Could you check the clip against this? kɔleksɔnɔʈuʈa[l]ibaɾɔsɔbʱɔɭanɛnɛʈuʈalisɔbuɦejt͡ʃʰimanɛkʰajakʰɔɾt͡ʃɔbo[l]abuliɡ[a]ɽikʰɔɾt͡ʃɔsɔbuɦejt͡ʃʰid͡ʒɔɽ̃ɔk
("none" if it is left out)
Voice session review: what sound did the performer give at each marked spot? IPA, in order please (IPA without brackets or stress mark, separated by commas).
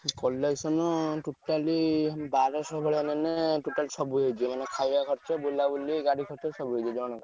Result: l, l, a